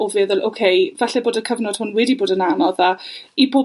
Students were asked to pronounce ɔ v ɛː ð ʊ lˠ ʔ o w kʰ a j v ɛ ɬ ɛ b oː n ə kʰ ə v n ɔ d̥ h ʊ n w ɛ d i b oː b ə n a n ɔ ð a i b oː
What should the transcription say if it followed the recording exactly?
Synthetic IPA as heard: ɔ v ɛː ð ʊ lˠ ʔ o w kʰ e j v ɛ ɬ ɛ b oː d ə kʰ ə v n ɔ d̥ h ʊ n w ɛ d i b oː d ə n a n ɔ ð a i b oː